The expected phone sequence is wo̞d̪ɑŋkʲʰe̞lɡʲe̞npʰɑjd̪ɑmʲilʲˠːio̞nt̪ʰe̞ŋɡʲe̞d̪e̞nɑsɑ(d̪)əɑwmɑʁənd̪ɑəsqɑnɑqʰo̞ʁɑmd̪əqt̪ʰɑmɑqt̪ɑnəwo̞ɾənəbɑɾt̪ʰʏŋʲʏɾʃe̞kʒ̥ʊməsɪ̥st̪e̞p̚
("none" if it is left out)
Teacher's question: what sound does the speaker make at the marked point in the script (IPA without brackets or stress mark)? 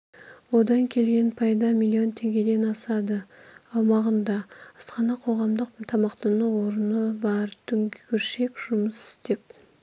d̪